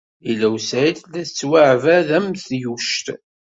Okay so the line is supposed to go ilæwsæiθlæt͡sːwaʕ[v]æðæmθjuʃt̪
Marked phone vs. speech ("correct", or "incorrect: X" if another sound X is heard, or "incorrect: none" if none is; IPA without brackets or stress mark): correct